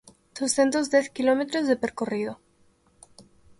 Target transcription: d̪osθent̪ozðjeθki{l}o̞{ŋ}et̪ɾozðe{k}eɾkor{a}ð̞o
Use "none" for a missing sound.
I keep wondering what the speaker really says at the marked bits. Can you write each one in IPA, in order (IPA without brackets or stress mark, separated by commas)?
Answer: l, m, p, i